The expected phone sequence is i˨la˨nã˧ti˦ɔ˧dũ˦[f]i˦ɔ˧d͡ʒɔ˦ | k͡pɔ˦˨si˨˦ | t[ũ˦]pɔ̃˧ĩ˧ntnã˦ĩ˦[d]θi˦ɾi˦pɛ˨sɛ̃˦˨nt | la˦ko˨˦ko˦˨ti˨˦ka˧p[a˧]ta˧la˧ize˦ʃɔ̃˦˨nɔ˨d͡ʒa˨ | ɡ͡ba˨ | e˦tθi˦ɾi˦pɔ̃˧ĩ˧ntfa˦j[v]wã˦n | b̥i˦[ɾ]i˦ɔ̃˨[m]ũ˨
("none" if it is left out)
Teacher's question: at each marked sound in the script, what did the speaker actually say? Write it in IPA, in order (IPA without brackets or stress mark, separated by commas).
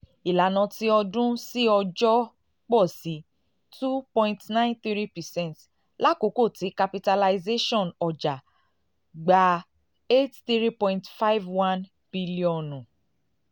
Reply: s, u˦, n, i˧, v, l, n